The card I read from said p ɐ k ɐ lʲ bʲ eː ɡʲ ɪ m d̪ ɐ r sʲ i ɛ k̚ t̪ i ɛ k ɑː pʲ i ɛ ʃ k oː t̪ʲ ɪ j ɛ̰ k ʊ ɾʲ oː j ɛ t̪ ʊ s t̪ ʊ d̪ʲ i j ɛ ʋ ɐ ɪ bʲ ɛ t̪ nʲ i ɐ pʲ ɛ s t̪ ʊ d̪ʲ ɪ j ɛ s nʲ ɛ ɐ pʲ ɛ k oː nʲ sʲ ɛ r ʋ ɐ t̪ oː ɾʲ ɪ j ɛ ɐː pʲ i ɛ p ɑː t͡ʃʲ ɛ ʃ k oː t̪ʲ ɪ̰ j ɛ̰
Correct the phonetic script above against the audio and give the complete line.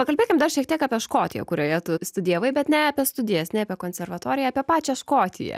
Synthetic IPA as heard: p ɐ k ɐ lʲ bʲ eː kʲ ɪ m d̪ ɐ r ʃʲ i ɛ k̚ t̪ i ɛ k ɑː pʲ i ɛ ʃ k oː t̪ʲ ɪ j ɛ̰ k ʊ ɾʲ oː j ɛ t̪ ʊ s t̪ ʊ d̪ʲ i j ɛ ʋ ɐ ɪ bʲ ɛ t̪ nʲ ɛ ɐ pʲ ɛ s t̪ ʊ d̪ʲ ɪ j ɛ s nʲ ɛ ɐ pʲ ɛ k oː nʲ sʲ ɛ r ʋ ɐ t̪ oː ɾʲ ɪ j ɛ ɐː pʲ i ɛ p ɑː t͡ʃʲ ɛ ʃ k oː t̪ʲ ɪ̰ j ɛ̰

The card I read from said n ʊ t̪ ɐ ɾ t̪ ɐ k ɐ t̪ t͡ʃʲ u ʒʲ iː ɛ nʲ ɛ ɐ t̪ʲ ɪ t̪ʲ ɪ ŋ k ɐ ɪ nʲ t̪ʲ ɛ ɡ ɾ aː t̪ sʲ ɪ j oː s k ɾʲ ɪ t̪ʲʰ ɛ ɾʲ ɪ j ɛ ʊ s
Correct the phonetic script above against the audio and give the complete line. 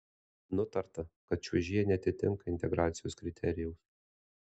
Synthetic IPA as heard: n ʊ t̪ ɐ ɾ t̪ ɐ k ɐ t̪ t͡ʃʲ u ʒʲ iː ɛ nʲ ɛ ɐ t̪ʲ ɪ t̪ʲ ɪ ŋ k ɐ ɪ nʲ t̪ʲ ɛ ɡ ɾ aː t̪ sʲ ɪ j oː s k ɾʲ ɪ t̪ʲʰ ɛ ɾʲ ɪ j ɛ ʊ s

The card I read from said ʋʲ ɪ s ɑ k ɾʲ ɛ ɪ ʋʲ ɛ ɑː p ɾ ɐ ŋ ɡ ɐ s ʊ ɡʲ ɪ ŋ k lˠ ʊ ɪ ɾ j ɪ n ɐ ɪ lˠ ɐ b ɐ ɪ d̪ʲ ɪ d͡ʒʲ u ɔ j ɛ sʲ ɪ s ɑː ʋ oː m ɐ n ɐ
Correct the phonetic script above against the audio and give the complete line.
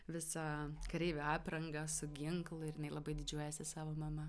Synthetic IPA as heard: ʋʲ ɪ s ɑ k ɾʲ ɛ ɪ ʋʲ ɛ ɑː p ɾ ɐ ŋ ɡ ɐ s ʊ ɡʲ ɪ ŋ k lˠ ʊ ɪ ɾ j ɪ n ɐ ɪ lˠ ɐ b ɐ ɪ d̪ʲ ɪ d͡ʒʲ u ɔ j ɛ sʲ ɪ s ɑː ʋ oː m ɐ m ɐ

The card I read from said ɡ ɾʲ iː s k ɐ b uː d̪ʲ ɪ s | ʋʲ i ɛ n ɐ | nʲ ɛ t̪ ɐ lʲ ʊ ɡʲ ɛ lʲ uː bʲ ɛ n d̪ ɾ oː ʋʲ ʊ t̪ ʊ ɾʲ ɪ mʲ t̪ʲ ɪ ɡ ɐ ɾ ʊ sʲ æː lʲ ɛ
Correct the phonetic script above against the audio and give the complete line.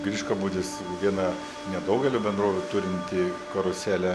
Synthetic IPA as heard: ɡ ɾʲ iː ʃ k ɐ b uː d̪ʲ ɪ s | ʋʲ i ɛ n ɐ | nʲ ɛ d̪ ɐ ʊ ɡʲ ɛ lʲ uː bʲ ɛ n d̪ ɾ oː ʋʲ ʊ t̪ ʊ ɾʲ ɪ nʲ t̪ʲ ɪ k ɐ ɾ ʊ sʲ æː lʲ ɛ

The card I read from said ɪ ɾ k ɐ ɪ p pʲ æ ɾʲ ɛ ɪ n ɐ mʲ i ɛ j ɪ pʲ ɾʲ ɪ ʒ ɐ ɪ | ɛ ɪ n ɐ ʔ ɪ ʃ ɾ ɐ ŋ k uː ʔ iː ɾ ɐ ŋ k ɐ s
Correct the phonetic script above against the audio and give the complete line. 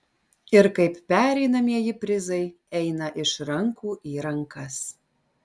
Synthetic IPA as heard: ɪ ɾ k ɐ ɪ p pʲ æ ɾʲ ɛ ɪ n ɐ mʲ i ɛ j ɪ pʲ ɾʲ ɪ z ɐ ɪ | ɛ ɪ n ɐ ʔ ɪ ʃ ɾ ɐ ŋ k uː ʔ iː ɾ ɐ ŋ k ɐ s

